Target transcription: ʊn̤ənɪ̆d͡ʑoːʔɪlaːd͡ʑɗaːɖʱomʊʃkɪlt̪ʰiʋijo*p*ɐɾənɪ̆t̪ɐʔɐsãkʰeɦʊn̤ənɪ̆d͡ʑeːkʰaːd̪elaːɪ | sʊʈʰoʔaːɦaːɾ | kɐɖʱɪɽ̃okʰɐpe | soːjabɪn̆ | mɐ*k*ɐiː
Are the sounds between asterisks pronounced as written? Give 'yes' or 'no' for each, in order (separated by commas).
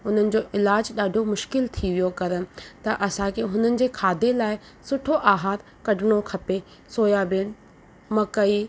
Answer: no, yes